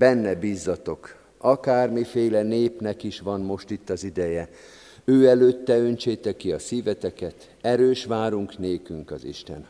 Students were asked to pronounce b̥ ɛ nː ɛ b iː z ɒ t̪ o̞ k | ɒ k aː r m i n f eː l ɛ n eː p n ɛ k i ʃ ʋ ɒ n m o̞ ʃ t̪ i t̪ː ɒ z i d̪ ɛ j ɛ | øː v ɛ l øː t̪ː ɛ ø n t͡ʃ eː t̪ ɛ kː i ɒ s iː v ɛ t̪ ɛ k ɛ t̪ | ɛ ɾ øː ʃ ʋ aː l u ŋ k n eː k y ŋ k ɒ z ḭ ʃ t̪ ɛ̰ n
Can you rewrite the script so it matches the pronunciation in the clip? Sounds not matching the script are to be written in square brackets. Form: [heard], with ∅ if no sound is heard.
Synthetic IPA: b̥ ɛ nː ɛ b iː [zː] ɒ t̪ o̞ k | ɒ k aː r m i [∅] f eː l ɛ n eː p n ɛ k i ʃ ʋ ɒ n m o̞ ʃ t̪ i t̪ː ɒ z i d̪ ɛ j ɛ | øː [∅] ɛ l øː t̪ː ɛ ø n t͡ʃ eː t̪ ɛ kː i ɒ s iː v ɛ t̪ ɛ k ɛ t̪ | ɛ ɾ øː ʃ ʋ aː [ɾ] u ŋ k n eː k y ŋ k ɒ z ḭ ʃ t̪ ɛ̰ n